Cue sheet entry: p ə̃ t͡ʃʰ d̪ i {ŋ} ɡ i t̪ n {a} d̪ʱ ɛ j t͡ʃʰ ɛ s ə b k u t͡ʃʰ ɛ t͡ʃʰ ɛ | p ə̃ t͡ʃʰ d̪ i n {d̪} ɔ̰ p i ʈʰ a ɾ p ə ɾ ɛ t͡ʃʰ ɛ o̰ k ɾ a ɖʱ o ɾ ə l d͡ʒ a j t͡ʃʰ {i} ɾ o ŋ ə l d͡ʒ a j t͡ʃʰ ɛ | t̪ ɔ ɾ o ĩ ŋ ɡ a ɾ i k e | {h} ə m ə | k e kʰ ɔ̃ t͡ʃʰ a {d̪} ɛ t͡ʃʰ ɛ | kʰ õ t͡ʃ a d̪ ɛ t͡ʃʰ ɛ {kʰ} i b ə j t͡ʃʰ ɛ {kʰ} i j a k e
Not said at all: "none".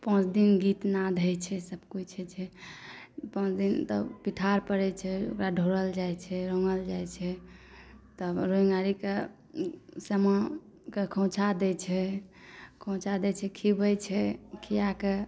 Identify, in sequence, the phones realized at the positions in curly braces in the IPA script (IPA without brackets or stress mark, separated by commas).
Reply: n, a, t̪, ɛ, s, d̪, kʰ, kʰ